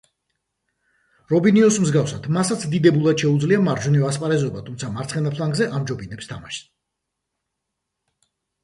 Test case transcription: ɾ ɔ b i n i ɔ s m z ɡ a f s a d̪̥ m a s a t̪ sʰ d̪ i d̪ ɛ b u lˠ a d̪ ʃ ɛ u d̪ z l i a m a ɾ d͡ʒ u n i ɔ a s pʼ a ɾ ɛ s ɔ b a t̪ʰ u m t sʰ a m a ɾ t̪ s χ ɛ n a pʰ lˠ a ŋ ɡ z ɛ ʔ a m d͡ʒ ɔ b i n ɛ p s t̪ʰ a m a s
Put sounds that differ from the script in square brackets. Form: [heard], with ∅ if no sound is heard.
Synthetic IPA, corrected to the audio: ɾ ɔ b i n i ɔ s m z ɡ a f s a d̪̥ m a s a t̪ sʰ d̪ i d̪ ɛ b u lˠ a d̪ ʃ ɛ u d̪ z l i a m a ɾ d͡ʒ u n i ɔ a s pʼ a ɾ ɛ [z] ɔ b a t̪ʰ u m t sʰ a m a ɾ t̪ s χ ɛ n a pʰ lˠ a ŋ ɡ z ɛ ʔ a m d͡ʒ ɔ b i n ɛ p s t̪ʰ a m a [ʃ]